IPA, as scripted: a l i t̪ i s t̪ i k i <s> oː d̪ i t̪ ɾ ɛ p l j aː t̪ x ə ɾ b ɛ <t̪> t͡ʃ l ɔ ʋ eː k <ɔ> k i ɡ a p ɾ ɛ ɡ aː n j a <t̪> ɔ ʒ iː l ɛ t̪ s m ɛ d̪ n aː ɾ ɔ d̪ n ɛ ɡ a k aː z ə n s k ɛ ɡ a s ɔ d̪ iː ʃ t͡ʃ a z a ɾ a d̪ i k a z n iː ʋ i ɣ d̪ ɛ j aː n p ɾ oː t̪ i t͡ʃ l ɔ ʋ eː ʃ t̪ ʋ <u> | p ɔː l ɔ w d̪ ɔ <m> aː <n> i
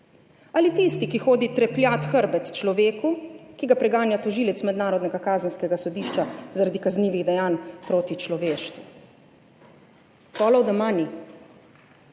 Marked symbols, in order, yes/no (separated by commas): no, yes, no, yes, yes, yes, yes